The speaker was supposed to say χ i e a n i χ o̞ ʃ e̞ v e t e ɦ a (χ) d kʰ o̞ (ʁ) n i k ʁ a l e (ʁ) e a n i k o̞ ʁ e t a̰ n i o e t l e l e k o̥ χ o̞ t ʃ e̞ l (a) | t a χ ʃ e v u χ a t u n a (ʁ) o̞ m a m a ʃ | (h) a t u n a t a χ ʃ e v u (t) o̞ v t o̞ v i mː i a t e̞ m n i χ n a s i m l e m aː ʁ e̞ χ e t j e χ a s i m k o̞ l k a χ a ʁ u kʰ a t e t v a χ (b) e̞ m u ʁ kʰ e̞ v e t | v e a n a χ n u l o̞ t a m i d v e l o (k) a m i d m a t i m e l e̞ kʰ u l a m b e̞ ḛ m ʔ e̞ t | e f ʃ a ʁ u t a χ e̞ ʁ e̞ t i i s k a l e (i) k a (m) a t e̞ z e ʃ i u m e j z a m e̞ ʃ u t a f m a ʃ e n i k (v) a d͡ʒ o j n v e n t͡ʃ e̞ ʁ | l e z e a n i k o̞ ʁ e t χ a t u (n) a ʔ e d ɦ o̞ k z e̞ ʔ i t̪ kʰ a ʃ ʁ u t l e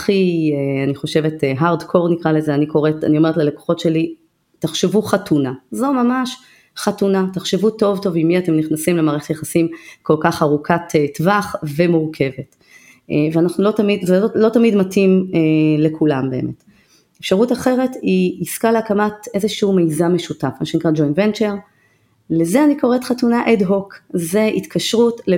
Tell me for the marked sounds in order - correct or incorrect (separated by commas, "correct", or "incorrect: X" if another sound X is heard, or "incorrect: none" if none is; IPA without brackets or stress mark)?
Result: incorrect: ʁ, correct, incorrect: z, incorrect: i, incorrect: z, incorrect: χ, correct, incorrect: v, incorrect: t, incorrect: a, correct, incorrect: ʁ, correct